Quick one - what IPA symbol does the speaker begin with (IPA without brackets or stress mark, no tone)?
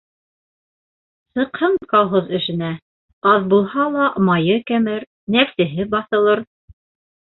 s